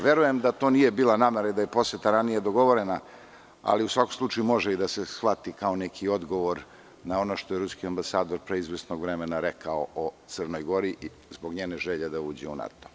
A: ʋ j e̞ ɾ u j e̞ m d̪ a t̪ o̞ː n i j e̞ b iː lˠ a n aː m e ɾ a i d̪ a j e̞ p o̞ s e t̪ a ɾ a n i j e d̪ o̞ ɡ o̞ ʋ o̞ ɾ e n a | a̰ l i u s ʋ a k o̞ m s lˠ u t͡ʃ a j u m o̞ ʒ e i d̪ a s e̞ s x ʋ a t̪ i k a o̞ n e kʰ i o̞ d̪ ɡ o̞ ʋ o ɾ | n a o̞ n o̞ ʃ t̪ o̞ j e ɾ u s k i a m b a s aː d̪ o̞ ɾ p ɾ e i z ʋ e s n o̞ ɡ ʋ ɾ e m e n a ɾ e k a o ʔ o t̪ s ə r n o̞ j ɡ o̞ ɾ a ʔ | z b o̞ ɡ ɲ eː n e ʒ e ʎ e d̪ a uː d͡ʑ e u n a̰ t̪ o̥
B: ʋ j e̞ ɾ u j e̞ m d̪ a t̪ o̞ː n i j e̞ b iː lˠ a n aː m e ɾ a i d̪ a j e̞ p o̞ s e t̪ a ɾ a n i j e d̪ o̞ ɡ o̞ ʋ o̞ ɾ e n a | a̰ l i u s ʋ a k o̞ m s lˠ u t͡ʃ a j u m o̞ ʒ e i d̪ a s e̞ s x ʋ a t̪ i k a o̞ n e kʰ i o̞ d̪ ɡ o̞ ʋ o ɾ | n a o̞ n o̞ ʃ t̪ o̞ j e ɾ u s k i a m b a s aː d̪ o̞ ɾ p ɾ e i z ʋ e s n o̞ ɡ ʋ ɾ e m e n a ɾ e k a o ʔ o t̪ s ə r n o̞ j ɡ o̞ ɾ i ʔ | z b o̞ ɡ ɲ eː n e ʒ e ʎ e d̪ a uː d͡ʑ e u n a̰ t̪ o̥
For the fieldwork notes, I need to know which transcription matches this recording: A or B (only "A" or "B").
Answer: B